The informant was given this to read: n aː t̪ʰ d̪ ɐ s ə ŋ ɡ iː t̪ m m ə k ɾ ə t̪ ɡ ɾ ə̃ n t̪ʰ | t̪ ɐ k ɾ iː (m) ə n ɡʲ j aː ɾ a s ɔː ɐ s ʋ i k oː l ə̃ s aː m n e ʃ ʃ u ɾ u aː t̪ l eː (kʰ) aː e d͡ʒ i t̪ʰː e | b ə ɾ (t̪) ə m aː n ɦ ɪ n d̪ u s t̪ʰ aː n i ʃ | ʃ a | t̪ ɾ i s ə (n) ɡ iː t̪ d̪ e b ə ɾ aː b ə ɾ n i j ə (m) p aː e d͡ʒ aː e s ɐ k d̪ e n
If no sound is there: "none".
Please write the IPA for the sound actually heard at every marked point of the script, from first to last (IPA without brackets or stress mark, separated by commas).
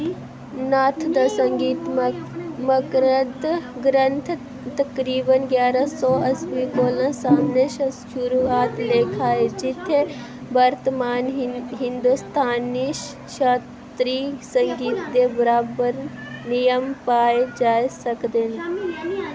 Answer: b, kʰ, t̪, ŋ, m